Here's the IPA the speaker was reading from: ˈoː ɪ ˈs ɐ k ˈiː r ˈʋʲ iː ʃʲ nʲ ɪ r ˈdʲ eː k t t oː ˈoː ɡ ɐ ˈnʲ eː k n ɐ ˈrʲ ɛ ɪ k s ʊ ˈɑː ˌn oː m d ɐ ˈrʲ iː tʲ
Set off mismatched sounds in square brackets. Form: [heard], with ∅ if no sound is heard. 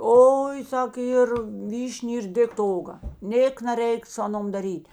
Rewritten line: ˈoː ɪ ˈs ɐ k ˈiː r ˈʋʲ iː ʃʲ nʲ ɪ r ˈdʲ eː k t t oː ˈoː ɡ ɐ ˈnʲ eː k n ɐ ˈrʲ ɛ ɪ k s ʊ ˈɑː ˌn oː m d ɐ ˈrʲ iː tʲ